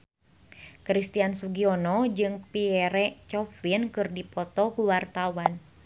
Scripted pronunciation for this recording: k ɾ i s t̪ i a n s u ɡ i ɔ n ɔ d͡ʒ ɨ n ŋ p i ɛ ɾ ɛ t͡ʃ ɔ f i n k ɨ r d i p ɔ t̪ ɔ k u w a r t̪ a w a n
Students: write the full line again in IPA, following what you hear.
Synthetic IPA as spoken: k ɾ i s t̪ i a n s u ɡ i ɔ n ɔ d͡ʒ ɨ ŋ p i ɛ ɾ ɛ t͡ʃ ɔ f i n k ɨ r d i p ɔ t̪ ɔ k u w a r t̪ a w a n

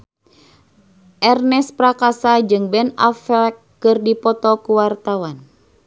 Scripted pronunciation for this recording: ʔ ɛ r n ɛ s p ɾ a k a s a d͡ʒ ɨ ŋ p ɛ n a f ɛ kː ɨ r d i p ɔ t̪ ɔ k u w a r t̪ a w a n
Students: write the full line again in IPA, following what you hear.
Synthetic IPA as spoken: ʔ ɛ r n ɛ s p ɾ a k a s a d͡ʒ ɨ ŋ b ɛ n a f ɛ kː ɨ r d i p ɔ t̪ ɔ k u w a r t̪ a w a n

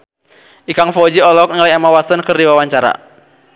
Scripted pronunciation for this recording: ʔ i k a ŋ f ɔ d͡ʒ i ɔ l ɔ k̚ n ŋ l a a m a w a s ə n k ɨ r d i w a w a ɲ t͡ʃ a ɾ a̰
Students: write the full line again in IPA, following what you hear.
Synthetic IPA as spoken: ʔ i k a ŋ f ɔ d͡ʒ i ɔ l ɔ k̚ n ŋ l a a m a w a s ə n k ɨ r d i w a w a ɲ t͡ʃ a ɾ a̰

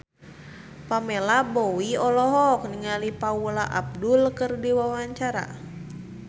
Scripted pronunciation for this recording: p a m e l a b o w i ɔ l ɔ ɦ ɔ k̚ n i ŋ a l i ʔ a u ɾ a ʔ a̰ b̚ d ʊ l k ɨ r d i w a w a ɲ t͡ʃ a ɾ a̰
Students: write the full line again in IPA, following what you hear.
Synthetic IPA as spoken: p a m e l a b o w i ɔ l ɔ ɦ ɔ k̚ n i ŋ a l i p a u l a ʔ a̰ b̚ d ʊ l k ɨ r d i w a w a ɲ t͡ʃ a ɾ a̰

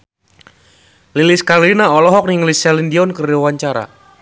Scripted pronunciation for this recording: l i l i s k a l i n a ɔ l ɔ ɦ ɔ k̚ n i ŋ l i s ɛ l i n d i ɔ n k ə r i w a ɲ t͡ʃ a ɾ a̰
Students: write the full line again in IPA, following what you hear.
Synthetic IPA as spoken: l i l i s k a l i n a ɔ l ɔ ɦ ɔ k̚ n i ŋ l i s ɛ l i n d i ɔ n k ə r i w a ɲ t͡ʃ a ɾ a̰

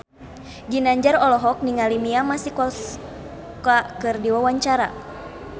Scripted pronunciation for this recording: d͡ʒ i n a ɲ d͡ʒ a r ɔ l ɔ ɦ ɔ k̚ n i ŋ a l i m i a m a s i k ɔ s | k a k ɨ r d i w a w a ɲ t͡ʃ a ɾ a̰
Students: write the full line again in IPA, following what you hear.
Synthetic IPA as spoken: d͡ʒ i n a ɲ d͡ʒ a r ɔ l ɔ ɦ ɔ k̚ n i ŋ a l i m i a m a s i k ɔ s | k a k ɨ r d i w a w a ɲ t͡ʃ a ɾ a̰

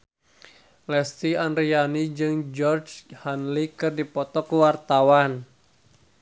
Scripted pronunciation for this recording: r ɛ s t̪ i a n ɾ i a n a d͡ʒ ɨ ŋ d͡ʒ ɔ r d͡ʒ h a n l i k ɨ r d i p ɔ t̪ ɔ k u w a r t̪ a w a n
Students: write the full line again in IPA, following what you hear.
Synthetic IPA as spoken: l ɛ s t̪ i a n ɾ i a n i d͡ʒ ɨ ŋ d͡ʒ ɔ r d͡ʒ h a n l i k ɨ r d i p ɔ t̪ ɔ k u w a r t̪ a w a n

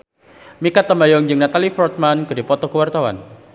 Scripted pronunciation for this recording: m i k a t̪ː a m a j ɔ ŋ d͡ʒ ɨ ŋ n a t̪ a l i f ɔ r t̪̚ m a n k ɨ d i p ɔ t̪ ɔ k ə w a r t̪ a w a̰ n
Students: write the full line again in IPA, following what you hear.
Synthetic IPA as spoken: m i k a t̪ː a m a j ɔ ŋ d͡ʒ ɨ ŋ n a t̪ a l i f ɔ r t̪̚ m a n k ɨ d i p ɔ t̪ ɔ k ə w a r t̪ a w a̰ n

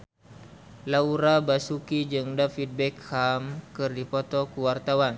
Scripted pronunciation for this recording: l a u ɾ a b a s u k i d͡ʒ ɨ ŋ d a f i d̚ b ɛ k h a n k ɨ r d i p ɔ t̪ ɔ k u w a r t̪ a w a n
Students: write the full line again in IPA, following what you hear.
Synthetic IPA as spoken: l a u ɾ a b a s u k i d͡ʒ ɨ ŋ d a f i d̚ b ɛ k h a m k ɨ r d i p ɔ t̪ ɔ k u w a r t̪ a w a n

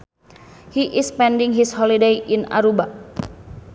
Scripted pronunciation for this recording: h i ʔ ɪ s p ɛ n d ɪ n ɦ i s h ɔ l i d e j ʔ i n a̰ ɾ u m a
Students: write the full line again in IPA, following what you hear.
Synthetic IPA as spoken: h i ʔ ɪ s p ɛ n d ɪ ŋ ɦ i s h ɔ l i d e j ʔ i n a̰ ɾ u b a

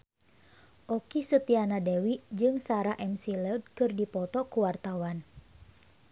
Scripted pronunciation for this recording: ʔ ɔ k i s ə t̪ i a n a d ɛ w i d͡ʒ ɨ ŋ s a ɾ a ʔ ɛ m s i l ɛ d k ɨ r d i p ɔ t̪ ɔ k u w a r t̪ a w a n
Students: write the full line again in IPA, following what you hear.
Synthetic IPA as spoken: ʔ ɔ k i s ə t̪ i a n a d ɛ w i d͡ʒ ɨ ŋ s a ɾ a ʔ ɛ m s i l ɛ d k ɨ r d i p ɔ t̪ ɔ k u w a r t̪ a w a n

